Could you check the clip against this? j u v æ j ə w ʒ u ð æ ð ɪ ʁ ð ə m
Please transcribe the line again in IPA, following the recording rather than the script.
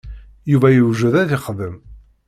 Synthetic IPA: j u v æ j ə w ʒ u ð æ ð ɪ χ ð ə m